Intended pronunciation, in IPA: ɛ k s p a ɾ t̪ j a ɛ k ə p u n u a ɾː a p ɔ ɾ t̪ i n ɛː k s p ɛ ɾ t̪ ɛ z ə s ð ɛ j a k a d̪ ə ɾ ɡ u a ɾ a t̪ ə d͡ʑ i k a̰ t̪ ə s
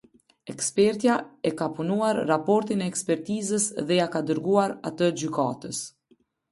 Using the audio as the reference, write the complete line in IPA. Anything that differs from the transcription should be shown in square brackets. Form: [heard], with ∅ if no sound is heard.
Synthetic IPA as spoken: ɛ k s p [ɛ] ɾ t̪ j a ɛ k [a] p u n u a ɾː a p ɔ ɾ t̪ i n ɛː k s p ɛ ɾ t̪ [i] z ə s ð ɛ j a k a d̪ ə ɾ ɡ u a ɾ a t̪ ə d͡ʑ [y] k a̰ t̪ ə s